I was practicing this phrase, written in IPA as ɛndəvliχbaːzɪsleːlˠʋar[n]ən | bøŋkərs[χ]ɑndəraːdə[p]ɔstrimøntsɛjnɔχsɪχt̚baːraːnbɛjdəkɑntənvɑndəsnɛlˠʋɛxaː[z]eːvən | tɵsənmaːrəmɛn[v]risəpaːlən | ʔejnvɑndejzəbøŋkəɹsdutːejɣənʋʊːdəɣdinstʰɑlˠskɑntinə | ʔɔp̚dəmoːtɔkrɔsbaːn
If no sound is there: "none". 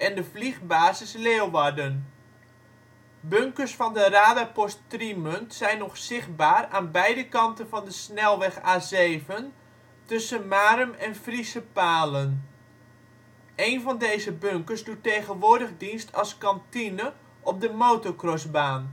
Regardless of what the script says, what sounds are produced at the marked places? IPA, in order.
d, f, p, z, f

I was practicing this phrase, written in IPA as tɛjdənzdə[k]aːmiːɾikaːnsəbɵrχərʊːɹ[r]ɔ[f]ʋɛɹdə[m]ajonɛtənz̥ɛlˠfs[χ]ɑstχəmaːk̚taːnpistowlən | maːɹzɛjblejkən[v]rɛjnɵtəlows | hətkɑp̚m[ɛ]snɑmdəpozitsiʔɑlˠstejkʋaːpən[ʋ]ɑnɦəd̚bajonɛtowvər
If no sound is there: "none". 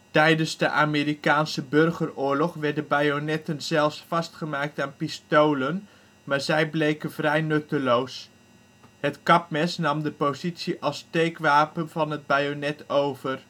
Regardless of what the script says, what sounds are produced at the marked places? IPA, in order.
ʔ, l, χ, b, f, v, ɛ, v

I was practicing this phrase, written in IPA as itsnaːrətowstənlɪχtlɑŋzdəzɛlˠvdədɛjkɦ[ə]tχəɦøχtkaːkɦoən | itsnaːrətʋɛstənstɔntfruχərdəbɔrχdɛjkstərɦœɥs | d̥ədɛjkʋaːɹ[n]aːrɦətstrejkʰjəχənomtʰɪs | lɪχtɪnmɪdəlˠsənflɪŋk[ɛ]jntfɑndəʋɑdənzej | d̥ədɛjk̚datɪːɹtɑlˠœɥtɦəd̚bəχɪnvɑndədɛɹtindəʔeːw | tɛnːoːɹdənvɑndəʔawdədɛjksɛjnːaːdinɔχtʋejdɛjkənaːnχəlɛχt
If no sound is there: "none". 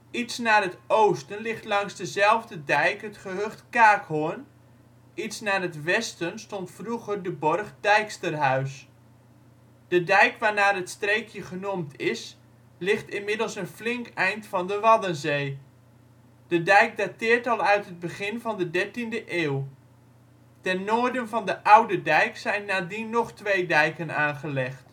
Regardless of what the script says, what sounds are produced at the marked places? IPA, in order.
ə, n, ɛ

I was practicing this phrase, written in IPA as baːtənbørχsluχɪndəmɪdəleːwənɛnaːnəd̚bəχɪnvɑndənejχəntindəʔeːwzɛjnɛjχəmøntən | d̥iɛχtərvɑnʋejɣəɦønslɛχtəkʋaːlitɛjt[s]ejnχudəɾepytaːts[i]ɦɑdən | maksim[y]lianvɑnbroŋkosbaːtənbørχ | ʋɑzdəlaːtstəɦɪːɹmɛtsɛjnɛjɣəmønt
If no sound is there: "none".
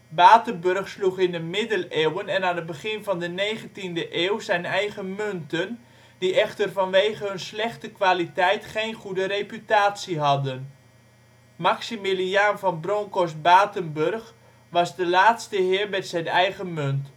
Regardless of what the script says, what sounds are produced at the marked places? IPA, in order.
χ, i, i

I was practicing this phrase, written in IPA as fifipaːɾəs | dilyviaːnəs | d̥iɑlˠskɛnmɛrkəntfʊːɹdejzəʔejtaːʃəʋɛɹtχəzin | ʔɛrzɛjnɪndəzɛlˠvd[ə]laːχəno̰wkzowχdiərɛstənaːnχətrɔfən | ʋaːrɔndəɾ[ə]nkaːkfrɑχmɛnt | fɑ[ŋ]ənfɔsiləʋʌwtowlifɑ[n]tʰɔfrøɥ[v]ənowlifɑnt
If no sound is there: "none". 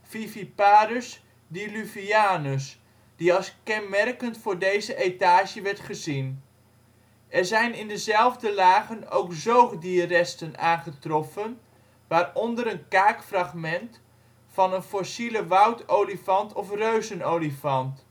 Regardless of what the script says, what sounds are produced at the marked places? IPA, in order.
ə, ə, n, n, z

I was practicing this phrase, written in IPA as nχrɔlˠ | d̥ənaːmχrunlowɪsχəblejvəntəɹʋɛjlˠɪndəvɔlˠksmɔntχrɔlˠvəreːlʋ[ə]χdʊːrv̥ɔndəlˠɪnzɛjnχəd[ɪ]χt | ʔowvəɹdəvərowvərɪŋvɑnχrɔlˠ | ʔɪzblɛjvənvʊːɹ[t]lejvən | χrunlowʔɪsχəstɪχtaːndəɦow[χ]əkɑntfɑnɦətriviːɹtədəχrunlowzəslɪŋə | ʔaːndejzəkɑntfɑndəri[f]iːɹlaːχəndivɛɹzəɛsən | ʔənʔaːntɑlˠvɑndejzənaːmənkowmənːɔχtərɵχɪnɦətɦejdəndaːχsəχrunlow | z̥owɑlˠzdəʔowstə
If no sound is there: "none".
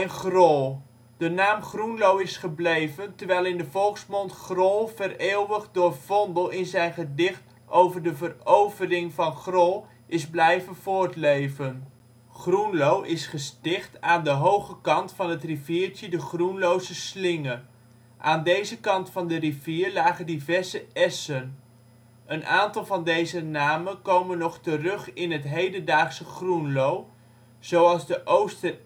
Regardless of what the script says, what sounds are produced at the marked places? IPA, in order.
ə, ɪ, t, χ, v

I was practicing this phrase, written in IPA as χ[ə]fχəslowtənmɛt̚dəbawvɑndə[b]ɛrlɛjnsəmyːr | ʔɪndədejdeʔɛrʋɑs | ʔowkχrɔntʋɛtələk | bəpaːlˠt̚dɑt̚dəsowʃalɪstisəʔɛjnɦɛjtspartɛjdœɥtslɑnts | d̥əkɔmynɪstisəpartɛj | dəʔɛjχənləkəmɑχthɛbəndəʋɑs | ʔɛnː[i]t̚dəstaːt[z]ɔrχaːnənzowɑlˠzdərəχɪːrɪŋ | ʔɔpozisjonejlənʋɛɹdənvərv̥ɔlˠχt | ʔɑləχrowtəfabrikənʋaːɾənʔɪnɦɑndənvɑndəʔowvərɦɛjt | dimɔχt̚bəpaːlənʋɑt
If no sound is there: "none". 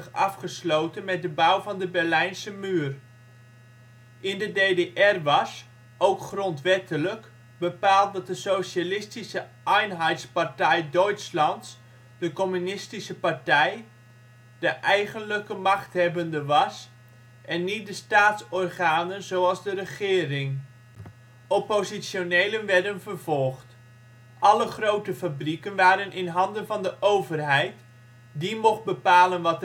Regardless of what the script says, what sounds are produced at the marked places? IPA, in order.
ɑ, b, i, s

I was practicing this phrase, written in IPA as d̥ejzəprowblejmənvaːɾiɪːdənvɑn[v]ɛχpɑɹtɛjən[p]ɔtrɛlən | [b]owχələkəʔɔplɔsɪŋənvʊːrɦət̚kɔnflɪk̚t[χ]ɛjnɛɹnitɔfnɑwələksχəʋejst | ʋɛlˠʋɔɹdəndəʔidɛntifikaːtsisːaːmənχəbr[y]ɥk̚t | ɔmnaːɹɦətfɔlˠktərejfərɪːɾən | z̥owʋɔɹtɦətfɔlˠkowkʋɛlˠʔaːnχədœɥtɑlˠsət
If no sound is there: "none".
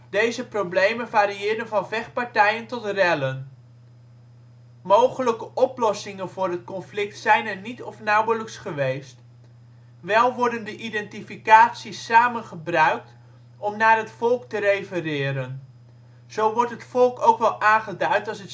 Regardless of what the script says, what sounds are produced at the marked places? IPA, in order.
v, t, m, s, œ

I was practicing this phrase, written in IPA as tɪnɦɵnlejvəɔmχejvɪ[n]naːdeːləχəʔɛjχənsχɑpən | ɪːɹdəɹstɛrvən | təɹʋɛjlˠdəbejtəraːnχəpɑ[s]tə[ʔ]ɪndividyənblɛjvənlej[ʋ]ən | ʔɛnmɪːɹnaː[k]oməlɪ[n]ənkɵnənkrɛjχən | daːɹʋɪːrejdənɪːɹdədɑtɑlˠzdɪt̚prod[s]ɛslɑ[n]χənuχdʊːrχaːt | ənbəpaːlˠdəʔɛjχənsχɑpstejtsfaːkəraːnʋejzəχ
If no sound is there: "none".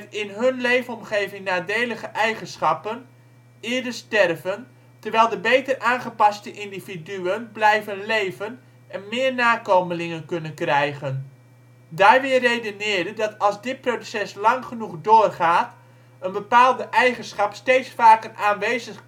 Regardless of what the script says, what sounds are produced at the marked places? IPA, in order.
ŋ, s, ʔ, v, k, ŋ, s, ŋ

